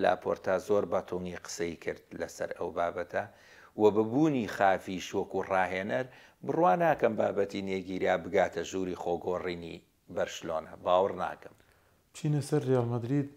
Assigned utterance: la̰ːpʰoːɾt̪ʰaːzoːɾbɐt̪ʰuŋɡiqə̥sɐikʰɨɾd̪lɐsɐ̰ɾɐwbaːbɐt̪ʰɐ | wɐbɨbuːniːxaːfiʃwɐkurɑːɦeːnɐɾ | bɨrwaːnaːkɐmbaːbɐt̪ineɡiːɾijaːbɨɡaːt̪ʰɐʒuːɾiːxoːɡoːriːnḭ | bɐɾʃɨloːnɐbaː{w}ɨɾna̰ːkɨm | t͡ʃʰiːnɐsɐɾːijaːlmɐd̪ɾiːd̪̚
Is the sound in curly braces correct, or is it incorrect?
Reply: correct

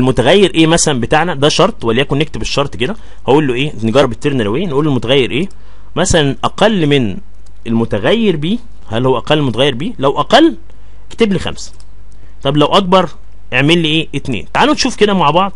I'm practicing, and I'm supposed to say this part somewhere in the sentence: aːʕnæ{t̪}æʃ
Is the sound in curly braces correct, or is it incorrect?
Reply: incorrect: d̪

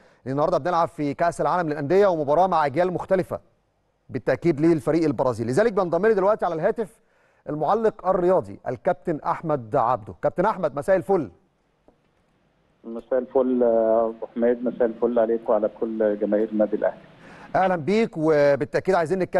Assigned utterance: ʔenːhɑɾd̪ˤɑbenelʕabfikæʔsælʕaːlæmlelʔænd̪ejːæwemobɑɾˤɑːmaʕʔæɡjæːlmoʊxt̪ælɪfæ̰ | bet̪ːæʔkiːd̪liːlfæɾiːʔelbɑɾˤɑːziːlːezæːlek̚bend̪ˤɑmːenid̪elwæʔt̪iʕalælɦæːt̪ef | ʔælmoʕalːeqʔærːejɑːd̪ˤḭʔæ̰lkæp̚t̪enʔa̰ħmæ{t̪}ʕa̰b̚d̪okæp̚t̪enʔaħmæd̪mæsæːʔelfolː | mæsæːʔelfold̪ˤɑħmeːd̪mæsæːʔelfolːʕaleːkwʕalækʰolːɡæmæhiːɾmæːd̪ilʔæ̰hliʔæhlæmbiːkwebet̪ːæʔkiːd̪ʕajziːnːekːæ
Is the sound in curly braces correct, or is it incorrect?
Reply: incorrect: d̪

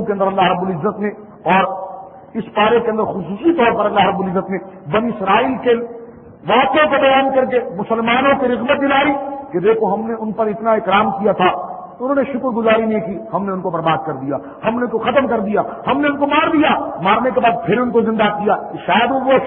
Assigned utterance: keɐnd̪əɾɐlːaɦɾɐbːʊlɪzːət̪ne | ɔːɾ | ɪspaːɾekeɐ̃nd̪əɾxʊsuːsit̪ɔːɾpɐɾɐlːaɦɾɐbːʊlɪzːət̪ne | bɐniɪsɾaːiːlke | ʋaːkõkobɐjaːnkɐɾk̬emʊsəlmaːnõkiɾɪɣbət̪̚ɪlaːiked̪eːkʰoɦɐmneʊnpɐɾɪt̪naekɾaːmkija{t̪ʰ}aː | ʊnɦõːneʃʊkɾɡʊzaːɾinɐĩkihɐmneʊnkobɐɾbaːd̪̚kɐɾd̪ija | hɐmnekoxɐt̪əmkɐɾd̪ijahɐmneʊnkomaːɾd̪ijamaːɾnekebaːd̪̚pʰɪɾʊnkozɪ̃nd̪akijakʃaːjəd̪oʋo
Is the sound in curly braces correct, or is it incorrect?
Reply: correct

